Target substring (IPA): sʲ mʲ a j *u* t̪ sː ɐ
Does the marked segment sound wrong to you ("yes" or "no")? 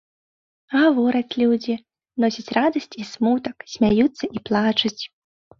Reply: no